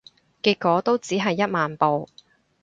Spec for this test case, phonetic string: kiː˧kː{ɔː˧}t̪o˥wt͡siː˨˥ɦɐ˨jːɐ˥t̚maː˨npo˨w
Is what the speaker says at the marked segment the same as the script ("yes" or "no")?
no